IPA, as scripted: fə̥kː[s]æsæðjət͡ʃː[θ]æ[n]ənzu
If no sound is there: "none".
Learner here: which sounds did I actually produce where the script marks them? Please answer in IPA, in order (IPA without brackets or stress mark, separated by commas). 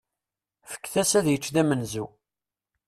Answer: θ, ð, m